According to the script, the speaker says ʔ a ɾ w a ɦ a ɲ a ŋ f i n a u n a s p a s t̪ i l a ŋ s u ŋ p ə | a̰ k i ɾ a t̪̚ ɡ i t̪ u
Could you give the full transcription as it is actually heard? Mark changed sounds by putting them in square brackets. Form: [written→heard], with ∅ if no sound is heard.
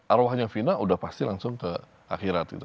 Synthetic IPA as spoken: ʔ a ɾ w a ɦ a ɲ a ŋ f i n a u [n→d] a [s→h] p a s t̪ i l a ŋ s [u→ʊ] ŋ [p→k] ə | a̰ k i ɾ a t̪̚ ɡ i t̪ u